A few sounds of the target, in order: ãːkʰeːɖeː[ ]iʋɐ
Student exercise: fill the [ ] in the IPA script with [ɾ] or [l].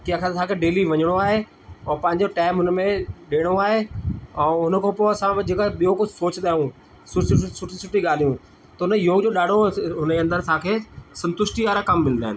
l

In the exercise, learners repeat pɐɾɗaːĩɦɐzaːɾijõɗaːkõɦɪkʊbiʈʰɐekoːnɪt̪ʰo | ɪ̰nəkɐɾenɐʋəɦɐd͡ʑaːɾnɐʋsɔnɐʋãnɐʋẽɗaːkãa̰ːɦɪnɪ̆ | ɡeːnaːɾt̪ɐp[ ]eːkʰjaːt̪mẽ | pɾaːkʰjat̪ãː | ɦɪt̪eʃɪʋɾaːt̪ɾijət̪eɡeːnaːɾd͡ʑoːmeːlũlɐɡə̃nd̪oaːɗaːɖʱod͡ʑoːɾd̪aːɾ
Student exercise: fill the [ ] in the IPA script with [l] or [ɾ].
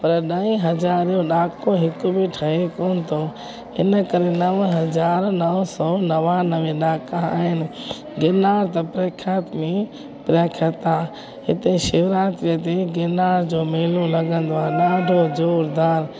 ɾ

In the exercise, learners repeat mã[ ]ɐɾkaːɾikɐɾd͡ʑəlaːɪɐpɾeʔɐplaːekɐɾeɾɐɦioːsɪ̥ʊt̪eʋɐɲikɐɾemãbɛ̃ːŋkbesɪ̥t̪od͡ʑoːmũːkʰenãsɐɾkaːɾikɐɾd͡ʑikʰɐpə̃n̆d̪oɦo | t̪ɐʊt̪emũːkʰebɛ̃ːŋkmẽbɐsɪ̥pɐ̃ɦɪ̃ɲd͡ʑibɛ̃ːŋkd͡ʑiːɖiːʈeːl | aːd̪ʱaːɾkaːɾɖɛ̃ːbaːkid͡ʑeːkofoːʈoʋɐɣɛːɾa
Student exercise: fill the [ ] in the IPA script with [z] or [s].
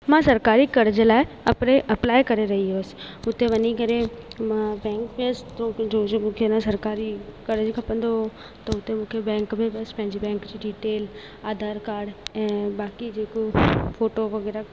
s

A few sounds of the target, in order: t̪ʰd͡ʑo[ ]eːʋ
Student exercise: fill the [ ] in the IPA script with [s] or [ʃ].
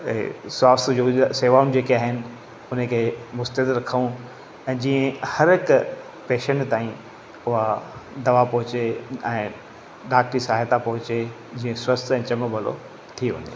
s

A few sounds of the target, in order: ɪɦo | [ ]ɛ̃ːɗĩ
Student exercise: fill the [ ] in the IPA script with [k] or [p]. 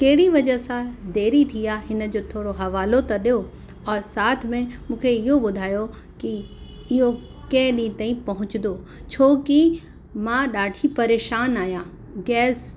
k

